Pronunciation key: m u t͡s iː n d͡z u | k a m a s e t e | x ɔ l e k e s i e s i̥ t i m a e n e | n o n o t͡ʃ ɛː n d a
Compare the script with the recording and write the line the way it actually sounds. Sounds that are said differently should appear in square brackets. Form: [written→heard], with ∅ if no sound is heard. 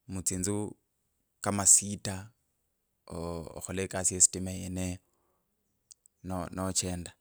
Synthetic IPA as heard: m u t͡s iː n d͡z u | k a m a s [e→i] t [e→a] | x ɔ l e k [e→a] s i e s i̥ t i m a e n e | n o n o t͡ʃ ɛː n d a